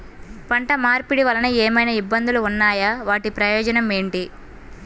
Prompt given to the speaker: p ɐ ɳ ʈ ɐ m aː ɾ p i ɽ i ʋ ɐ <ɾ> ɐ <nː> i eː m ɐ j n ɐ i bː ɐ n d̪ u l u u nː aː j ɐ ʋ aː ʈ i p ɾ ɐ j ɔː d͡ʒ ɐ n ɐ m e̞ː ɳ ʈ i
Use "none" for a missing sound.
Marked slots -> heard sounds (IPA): l, n

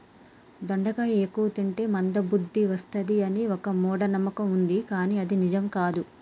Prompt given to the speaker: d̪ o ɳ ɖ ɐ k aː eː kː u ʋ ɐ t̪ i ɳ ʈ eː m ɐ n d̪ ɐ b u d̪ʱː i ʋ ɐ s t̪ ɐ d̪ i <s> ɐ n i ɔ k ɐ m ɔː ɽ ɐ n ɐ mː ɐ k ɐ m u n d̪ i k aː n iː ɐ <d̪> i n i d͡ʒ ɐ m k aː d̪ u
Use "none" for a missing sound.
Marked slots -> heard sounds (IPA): none, d̪

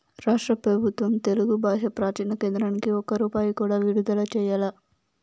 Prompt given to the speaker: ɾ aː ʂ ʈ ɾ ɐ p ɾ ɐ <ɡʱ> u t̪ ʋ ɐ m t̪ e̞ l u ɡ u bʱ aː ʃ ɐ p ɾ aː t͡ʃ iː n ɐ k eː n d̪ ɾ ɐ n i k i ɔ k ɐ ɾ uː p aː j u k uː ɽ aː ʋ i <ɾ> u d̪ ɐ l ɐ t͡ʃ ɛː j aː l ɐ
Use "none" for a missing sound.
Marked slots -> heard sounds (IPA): bʱ, ɽ

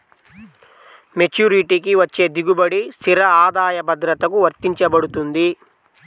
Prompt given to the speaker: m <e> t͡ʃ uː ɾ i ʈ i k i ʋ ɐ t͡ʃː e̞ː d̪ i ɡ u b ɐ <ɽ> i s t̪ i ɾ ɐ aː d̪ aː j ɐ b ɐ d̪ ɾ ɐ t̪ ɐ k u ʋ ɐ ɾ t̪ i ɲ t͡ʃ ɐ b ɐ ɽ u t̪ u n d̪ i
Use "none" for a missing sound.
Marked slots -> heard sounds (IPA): e, ɽ

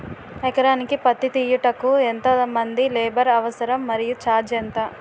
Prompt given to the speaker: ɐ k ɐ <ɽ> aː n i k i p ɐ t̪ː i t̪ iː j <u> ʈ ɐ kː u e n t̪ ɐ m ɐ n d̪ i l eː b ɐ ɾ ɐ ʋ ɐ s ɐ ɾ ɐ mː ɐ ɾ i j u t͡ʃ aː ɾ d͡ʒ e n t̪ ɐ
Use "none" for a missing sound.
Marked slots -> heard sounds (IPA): ɾ, u

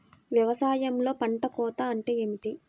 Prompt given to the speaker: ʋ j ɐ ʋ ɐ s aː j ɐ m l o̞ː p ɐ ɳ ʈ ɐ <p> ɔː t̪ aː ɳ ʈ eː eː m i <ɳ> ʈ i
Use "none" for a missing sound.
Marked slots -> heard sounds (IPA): k, none

